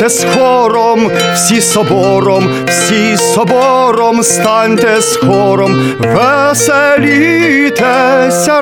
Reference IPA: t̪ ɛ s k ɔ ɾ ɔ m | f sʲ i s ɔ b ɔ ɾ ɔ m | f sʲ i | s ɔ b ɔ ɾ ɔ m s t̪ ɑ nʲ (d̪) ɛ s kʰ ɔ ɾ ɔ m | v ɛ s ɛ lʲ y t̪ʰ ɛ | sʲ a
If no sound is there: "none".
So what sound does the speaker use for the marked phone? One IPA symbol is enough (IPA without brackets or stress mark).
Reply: t̪